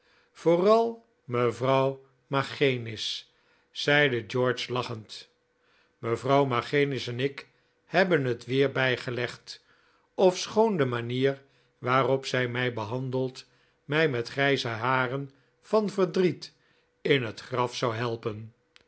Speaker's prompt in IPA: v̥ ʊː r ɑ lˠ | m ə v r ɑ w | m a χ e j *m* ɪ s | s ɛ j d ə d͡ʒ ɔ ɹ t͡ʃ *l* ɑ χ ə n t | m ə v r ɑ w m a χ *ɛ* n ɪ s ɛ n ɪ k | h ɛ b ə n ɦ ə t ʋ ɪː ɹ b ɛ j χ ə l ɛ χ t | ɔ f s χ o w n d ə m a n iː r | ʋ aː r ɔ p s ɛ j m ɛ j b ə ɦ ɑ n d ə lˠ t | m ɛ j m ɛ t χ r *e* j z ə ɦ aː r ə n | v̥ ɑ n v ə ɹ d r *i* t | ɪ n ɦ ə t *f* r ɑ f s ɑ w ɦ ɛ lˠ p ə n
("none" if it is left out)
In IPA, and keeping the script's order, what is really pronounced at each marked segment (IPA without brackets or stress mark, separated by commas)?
n, l, e, ɛ, i, χ